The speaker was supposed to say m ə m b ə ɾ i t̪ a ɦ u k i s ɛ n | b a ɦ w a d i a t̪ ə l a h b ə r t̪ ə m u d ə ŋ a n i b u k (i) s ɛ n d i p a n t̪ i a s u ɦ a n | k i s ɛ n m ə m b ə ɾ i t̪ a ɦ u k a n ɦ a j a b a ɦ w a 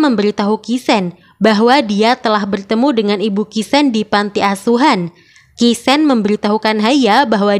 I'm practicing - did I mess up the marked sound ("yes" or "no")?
no